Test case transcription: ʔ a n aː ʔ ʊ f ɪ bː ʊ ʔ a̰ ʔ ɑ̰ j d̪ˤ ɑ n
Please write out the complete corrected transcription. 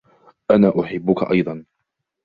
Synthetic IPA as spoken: ʔ a n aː ʔ ʊ ħ ɪ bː ʊ k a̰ ʔ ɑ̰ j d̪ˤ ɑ n